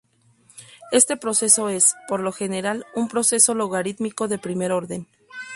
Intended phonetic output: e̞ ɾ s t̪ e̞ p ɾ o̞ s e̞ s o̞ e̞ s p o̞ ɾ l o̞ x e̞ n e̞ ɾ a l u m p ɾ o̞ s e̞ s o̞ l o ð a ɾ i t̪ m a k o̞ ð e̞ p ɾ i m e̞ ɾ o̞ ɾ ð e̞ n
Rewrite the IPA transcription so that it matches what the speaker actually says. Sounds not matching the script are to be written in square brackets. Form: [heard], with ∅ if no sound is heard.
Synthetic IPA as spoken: e̞ [∅] s t̪ e̞ p ɾ o̞ s e̞ s o̞ e̞ s p o̞ ɾ l o̞ x e̞ n e̞ ɾ a l u m p ɾ o̞ s e̞ s o̞ l o [ɣ] a ɾ i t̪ m [i] k o̞ ð e̞ p ɾ i m e̞ ɾ o̞ ɾ ð e̞ n